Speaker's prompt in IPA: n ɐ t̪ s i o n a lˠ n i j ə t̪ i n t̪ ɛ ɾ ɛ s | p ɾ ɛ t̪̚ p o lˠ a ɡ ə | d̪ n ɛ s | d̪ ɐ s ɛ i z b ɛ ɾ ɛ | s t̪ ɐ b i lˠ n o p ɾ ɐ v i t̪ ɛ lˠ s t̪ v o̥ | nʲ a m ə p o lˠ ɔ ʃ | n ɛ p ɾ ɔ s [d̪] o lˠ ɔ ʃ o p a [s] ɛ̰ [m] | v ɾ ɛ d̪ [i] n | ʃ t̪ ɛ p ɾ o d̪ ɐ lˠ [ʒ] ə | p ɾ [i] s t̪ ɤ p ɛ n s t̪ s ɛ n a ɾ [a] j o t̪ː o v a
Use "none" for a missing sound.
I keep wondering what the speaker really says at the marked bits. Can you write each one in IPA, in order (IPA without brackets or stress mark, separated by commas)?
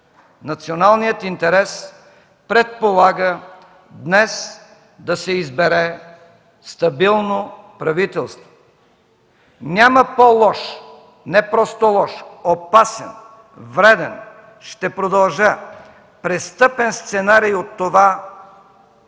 t̪, s, n, ɛ, ʒ, ɛ, i